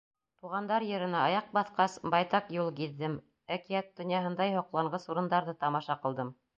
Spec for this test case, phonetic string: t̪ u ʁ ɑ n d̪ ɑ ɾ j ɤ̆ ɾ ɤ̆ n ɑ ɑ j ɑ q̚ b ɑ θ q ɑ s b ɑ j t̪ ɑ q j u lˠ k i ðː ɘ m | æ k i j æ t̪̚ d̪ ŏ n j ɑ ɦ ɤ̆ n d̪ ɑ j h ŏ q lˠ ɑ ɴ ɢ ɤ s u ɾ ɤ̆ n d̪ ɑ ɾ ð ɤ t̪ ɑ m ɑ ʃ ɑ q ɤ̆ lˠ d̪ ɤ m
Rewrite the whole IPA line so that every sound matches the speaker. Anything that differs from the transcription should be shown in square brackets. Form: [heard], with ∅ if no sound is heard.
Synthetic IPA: t̪ u ʁ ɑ n d̪ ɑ ɾ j ɤ̆ ɾ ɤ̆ n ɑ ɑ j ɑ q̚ b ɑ θ q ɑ s b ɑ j t̪ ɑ q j u lˠ k i ðː ɘ m | æ k i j æ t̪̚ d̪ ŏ n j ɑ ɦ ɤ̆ n d̪ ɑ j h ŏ q lˠ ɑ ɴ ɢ ɤ s u ɾ ɤ̆ n d̪ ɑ ɾ ð ɤ t̪ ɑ m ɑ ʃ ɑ q ɤ̆ lˠ d̪ ɤ m